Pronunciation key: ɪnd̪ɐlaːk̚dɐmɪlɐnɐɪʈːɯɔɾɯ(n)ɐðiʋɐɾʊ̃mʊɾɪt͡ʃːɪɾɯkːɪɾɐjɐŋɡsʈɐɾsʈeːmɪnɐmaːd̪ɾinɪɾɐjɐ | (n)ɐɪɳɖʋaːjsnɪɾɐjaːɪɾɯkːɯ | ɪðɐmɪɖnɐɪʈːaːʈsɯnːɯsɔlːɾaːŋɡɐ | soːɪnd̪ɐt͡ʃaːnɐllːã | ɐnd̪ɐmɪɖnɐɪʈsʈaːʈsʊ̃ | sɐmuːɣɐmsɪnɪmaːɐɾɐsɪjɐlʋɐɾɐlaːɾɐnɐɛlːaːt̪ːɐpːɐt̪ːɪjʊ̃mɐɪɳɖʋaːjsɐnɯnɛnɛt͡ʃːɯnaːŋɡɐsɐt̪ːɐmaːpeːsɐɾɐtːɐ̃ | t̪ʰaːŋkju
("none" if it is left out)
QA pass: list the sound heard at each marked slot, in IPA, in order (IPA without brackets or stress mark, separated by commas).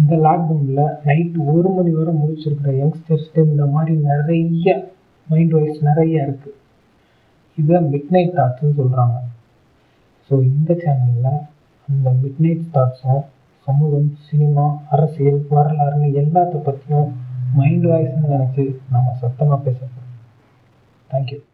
m, m